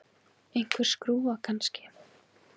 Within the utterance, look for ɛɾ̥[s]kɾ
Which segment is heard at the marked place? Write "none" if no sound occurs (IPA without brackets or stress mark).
s